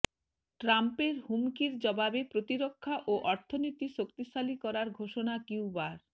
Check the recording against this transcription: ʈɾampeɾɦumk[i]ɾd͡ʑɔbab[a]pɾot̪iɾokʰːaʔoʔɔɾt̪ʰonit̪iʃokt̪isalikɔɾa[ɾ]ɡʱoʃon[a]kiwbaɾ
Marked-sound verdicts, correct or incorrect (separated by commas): correct, incorrect, correct, correct